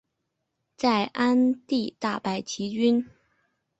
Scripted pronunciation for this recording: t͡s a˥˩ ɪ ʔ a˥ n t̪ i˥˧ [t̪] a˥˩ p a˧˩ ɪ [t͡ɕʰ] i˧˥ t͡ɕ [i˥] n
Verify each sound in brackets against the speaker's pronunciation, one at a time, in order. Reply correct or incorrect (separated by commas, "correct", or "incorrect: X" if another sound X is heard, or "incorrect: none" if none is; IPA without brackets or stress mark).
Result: correct, correct, incorrect: y˥